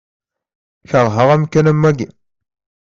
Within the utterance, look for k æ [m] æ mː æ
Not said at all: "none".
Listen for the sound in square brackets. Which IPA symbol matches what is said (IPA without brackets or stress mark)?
n